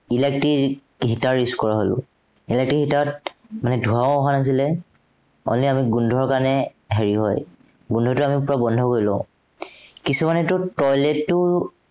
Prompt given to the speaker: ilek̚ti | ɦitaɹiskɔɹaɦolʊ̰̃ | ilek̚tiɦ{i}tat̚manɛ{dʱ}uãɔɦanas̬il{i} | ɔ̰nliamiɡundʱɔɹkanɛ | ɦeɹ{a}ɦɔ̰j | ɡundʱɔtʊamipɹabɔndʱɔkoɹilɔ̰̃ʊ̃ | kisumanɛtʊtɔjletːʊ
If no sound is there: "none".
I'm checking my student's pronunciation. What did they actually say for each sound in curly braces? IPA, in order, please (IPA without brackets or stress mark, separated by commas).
i, dʱ, ɛ, i